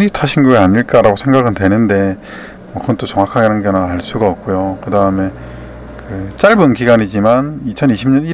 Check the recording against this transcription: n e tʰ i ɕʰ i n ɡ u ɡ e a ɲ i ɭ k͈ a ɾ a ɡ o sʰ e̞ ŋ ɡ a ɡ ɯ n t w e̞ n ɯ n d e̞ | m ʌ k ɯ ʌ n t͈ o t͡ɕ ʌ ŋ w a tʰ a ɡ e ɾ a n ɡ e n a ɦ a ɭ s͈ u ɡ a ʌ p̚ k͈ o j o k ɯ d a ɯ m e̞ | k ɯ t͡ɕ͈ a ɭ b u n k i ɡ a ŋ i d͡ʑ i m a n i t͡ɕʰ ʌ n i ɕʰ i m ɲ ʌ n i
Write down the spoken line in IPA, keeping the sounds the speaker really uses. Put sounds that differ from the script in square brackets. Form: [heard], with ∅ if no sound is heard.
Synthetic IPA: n [i] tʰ [a] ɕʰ i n ɡ u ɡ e a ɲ i ɭ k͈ a ɾ a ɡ o sʰ e̞ ŋ ɡ a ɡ ɯ n t w e̞ n ɯ n d e̞ | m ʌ k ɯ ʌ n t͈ o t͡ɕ ʌ ŋ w a [kʰ] a ɡ e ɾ a n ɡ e n a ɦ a ɭ s͈ u ɡ a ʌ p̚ k͈ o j o k ɯ d a ɯ m e̞ | k ɯ t͡ɕ͈ a ɭ b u n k i ɡ a [ɲ] i d͡ʑ i m a n i t͡ɕʰ ʌ n i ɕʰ i m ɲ ʌ n i